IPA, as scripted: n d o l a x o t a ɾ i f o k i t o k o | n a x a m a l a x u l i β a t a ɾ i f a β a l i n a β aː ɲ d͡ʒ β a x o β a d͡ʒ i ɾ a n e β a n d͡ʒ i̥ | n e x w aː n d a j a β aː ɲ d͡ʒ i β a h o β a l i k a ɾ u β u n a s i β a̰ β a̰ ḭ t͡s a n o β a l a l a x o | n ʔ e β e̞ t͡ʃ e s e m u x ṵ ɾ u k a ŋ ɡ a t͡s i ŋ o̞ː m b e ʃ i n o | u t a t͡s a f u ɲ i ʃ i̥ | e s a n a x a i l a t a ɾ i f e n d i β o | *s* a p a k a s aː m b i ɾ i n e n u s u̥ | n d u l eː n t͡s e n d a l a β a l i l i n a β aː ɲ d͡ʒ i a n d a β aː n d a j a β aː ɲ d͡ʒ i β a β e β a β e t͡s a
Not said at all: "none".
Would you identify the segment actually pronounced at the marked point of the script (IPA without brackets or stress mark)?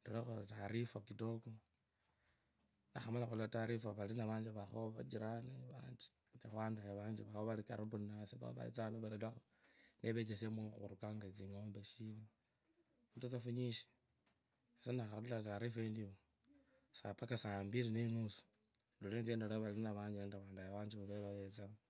s